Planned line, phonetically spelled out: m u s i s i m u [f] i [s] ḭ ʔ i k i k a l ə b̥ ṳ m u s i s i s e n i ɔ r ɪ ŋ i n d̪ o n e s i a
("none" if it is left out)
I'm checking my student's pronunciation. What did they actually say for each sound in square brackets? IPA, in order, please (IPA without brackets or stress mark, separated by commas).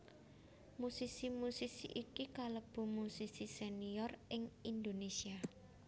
s, s